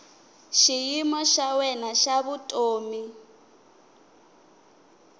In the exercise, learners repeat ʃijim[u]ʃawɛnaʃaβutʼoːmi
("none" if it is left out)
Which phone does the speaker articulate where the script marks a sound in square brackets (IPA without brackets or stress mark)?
ɔ